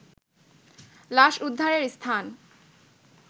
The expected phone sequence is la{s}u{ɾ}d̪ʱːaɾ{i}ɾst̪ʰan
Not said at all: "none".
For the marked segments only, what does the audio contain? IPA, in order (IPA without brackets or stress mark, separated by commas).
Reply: ʃ, none, e